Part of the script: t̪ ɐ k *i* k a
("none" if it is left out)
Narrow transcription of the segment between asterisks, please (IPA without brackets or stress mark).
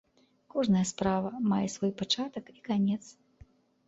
i